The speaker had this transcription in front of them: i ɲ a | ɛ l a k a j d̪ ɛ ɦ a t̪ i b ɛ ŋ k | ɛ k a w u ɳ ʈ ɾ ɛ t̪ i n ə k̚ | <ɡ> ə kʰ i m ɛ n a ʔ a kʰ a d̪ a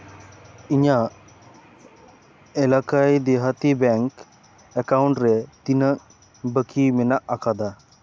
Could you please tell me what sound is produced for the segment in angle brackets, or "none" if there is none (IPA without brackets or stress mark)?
b